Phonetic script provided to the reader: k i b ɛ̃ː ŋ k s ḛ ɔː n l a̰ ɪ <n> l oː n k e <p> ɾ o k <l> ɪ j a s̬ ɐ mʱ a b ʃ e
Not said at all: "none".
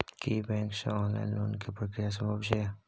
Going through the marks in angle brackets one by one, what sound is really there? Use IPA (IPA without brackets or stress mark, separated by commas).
n, p, ɾ